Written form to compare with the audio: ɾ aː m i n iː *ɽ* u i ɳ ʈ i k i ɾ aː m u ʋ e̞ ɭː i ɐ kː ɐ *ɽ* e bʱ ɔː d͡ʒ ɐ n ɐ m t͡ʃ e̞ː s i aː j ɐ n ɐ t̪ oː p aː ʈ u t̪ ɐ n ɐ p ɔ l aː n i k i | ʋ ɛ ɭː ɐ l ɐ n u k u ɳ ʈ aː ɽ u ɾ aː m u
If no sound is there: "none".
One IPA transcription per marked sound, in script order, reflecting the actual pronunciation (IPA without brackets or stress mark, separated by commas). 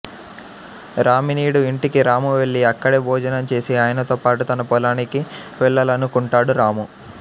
ɽ, ɽ